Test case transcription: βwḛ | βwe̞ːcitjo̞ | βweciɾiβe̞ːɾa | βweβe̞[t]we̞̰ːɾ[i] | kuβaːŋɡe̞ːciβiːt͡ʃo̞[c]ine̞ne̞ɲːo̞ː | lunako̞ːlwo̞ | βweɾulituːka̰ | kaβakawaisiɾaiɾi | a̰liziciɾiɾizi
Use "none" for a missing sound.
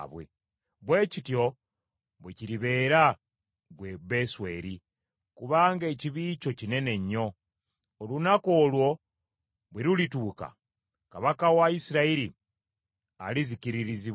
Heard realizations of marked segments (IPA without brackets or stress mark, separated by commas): s, i, c